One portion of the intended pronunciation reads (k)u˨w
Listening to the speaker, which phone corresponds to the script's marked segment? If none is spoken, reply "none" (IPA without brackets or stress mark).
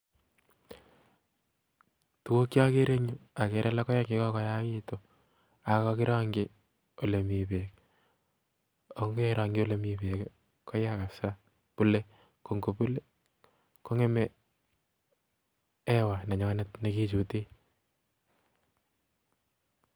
t